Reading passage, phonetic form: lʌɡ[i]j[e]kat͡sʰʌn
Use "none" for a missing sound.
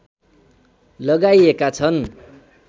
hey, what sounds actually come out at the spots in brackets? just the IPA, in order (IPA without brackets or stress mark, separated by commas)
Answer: a, e